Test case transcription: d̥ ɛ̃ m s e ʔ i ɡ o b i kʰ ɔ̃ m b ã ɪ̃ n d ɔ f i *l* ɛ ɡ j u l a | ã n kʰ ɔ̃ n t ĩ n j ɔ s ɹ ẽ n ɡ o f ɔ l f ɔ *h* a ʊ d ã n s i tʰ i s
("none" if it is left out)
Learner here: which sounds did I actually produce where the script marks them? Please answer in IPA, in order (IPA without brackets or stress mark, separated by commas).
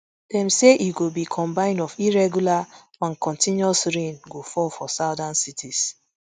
ɹ, s